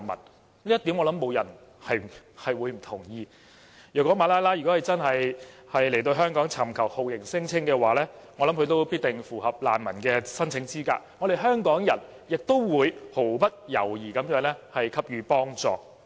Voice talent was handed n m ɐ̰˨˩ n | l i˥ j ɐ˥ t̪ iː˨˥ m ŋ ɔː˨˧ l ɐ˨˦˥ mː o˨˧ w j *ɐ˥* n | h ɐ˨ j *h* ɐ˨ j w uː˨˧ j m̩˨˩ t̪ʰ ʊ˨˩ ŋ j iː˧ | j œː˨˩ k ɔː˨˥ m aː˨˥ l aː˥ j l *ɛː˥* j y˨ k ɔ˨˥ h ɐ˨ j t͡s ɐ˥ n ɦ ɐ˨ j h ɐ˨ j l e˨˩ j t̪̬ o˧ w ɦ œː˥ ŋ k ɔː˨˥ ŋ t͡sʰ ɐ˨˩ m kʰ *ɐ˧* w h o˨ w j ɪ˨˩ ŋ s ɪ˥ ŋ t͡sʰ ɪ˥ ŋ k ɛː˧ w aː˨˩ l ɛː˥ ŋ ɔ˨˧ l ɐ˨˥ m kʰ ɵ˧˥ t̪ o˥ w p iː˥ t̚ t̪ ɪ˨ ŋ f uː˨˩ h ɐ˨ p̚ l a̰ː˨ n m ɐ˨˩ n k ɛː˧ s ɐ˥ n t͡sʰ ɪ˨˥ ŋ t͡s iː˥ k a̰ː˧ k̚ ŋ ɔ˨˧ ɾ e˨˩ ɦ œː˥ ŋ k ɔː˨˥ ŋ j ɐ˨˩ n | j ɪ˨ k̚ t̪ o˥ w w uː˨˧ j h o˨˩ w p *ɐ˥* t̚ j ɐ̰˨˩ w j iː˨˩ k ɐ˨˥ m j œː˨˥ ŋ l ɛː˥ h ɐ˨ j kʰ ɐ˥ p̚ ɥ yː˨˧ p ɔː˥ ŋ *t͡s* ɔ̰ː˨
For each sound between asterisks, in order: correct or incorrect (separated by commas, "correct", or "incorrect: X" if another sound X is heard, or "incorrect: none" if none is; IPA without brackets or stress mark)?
incorrect: ɐ˨˩, correct, incorrect: aː˥, incorrect: ɐ˨˩, correct, correct